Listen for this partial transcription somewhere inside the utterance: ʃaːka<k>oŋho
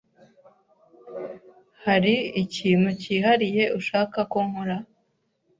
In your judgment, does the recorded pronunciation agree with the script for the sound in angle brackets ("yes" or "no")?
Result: yes